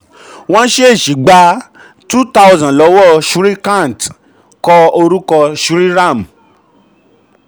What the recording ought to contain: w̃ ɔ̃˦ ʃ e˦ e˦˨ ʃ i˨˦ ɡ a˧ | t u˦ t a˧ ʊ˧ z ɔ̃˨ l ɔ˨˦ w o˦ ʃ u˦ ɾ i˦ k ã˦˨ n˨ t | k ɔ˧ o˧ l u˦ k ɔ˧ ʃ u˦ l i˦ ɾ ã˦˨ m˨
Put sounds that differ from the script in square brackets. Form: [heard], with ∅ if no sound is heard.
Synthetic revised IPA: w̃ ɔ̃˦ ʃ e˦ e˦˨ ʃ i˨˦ [ɡ͡b] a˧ | t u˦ t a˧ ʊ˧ z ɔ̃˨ l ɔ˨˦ w [ɔ˦] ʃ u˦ ɾ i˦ k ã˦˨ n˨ t | k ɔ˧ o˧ [ɾ] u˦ k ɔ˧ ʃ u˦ [ɾ] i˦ ɾ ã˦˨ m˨